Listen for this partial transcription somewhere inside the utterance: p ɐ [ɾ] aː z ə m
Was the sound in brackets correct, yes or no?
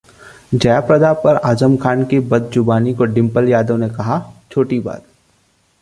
yes